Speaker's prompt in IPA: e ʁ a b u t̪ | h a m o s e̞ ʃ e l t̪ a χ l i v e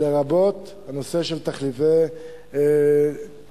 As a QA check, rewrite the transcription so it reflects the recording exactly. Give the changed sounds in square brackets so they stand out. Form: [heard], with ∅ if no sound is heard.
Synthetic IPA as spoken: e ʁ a b [o] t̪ | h a [n] o s e̞ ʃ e l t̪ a χ l i v e